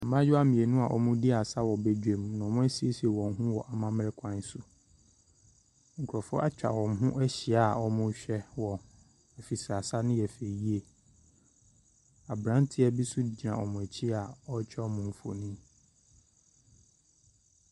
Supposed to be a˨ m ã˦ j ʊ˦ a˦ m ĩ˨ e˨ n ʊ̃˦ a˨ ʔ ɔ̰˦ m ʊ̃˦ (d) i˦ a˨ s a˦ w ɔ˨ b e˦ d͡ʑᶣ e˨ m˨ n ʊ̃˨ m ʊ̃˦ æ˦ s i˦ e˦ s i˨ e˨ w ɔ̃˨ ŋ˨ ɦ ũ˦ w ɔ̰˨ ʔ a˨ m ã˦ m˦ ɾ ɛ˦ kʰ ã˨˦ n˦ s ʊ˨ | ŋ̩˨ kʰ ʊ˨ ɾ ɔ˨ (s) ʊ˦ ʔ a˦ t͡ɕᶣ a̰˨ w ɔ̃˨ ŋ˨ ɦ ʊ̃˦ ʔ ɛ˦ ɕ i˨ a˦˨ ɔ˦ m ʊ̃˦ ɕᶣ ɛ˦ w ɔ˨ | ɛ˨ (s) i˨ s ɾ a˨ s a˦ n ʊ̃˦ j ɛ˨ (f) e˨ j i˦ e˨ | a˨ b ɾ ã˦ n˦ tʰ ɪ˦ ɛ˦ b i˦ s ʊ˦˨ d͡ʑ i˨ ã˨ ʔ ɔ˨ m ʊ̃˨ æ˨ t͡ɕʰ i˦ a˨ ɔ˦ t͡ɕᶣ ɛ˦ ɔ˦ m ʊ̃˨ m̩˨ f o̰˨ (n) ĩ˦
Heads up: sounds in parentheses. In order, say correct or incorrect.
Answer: correct, incorrect: f, incorrect: f, correct, correct

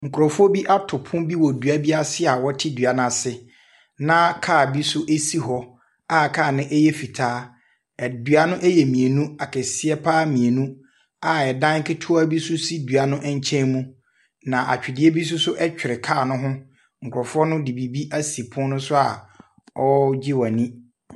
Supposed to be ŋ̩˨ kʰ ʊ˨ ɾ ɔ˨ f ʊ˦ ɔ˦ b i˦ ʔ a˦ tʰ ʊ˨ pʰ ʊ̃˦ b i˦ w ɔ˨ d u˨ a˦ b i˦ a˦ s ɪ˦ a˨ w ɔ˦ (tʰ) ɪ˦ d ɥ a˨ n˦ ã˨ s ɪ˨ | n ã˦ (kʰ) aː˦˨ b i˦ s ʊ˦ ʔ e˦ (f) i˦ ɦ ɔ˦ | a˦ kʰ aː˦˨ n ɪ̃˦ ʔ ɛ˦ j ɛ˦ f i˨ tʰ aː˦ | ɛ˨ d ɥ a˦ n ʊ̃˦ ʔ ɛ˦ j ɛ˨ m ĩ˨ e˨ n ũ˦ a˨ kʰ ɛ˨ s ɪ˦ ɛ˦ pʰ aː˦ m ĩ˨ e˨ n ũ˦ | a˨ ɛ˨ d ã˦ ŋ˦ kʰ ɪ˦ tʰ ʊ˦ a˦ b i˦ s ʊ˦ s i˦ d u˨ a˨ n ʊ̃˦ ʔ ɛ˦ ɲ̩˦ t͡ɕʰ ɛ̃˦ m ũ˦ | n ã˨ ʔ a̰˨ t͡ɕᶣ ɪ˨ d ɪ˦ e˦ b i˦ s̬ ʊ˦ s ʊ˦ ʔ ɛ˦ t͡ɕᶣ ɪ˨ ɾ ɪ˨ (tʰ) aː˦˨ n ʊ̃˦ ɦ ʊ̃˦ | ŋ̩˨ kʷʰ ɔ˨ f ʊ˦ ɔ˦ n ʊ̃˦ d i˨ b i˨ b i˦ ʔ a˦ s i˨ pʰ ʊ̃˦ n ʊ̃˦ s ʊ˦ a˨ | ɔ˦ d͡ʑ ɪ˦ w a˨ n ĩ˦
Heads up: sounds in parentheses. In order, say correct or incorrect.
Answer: correct, correct, incorrect: s, incorrect: kʰ

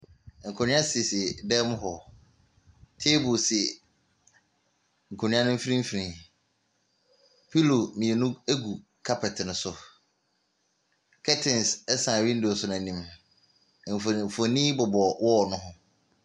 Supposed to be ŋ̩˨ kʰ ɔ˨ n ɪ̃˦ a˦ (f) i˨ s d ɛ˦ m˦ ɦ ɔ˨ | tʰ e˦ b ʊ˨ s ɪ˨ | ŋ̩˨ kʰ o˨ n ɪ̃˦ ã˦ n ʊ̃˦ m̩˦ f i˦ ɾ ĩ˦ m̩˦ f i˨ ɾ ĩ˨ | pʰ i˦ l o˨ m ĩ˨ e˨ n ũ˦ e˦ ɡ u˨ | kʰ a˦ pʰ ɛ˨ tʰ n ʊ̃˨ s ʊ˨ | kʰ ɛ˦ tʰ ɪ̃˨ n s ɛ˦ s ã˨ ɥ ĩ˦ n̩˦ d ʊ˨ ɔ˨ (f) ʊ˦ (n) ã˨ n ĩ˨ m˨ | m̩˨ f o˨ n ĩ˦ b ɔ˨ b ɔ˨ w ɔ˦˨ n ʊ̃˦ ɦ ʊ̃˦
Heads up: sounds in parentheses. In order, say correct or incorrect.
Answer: incorrect: s, incorrect: s, correct

